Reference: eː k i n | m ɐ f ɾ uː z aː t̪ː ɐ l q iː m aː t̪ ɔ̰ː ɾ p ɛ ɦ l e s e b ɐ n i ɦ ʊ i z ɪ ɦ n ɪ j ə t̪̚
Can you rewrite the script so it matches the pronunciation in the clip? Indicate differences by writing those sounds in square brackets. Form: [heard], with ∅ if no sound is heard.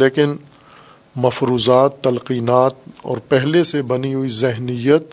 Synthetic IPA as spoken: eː k [ɪ] n | m ɐ f ɾ uː z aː t̪ː ɐ l q iː [n] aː t̪ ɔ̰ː ɾ p ɛ ɦ l e s e b ɐ n i ɦ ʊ i z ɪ ɦ n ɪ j ə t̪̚